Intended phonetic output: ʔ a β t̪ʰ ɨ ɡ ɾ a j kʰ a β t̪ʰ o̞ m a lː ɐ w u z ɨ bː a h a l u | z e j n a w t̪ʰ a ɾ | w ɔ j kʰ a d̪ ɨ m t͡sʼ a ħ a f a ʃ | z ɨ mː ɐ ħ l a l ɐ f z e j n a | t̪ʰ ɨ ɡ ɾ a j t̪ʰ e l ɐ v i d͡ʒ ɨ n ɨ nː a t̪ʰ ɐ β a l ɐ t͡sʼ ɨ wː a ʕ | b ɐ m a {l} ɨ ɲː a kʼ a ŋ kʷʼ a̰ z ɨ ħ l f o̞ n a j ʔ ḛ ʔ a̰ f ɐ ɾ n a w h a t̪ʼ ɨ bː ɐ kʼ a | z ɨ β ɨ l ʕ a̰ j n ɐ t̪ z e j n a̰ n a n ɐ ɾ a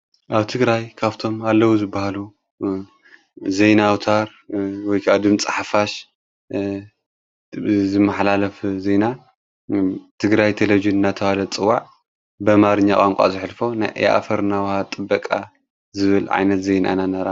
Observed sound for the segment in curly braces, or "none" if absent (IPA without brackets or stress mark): ɾ